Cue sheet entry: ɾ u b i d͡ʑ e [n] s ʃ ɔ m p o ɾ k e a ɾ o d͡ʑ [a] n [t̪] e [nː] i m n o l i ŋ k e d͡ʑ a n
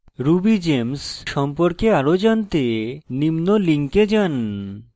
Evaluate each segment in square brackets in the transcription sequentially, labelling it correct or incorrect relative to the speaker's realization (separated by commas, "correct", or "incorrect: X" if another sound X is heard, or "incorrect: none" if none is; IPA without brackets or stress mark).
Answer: incorrect: m, correct, correct, incorrect: n